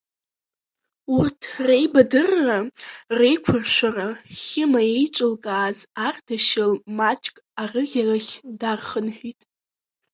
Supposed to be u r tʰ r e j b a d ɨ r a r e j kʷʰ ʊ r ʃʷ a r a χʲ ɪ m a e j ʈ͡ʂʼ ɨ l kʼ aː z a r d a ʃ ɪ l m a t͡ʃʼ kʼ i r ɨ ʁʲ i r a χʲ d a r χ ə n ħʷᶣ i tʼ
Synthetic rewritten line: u r tʰ r e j b a d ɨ rː a r e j kʷʰ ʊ r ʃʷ a r a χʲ ɪ m a e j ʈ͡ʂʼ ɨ l kʼ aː z a r d a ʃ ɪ l m a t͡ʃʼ kʼ a r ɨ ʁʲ a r a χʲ d a r χ ə n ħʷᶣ i tʼ